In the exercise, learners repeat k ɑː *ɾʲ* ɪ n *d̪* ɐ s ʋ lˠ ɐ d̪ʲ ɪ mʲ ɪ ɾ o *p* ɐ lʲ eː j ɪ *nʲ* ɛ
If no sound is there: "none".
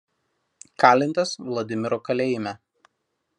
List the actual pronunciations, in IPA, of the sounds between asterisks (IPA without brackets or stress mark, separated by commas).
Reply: lʲ, t̪, k, mʲ